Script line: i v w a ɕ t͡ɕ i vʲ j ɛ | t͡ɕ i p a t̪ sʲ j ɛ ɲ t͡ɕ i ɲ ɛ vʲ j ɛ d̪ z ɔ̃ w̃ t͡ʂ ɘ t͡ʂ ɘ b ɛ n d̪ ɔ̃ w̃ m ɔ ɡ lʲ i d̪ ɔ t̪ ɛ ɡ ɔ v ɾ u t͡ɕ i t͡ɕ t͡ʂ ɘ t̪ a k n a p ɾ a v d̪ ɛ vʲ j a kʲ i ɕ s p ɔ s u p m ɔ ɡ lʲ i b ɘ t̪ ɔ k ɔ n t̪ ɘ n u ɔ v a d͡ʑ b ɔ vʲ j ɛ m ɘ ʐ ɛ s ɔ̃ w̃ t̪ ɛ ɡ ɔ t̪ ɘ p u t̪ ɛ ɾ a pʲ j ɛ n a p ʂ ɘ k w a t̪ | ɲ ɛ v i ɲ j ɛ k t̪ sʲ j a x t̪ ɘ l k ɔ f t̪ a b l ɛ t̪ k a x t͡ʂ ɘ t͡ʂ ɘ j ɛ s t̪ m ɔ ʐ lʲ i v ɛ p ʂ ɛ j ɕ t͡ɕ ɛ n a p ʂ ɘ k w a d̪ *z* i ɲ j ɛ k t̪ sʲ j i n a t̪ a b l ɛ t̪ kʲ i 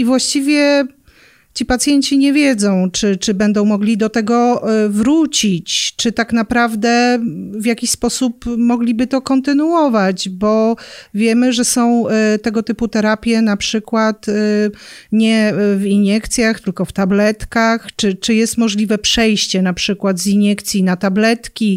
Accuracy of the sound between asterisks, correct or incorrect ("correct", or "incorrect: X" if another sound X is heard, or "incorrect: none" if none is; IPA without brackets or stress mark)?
correct